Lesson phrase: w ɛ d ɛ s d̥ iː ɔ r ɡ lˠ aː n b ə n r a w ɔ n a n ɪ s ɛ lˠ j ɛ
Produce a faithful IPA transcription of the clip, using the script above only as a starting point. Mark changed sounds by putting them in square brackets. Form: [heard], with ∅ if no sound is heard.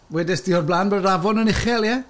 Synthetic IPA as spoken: w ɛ d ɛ s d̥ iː ɔ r [b] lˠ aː n b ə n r a [v] ɔ n [ə] n ɪ [χ] ɛ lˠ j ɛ